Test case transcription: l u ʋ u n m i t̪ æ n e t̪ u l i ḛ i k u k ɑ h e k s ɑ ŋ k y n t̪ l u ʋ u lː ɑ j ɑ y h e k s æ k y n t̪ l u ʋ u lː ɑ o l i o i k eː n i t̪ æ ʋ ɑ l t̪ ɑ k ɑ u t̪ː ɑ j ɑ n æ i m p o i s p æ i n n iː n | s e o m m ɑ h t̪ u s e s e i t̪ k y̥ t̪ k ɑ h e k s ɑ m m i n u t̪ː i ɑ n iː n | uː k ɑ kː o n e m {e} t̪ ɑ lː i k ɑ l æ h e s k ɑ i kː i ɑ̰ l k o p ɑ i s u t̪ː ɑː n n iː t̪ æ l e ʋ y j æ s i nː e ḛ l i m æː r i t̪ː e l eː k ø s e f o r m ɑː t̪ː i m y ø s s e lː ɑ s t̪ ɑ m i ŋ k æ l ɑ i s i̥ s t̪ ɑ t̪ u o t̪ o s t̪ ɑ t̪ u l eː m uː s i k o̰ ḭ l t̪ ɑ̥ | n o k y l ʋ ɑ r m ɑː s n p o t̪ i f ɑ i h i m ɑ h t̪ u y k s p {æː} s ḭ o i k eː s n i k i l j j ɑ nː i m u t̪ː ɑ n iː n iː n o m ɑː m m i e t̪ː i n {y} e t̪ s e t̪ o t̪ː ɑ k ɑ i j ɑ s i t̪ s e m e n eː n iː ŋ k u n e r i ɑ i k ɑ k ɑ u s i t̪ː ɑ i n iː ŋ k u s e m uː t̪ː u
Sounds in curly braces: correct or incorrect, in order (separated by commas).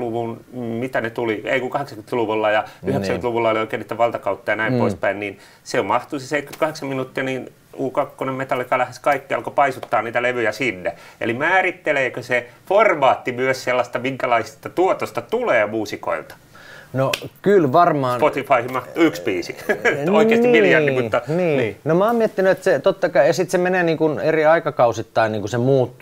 correct, incorrect, correct